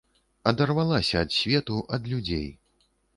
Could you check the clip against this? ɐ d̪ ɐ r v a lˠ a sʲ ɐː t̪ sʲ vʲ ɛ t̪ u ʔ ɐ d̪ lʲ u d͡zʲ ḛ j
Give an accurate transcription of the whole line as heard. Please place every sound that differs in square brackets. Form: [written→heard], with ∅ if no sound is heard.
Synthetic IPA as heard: ɐ d̪ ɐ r v a lˠ a sʲ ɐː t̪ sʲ vʲ ɛ t̪ u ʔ ɐ d̪ lʲ u d͡zʲ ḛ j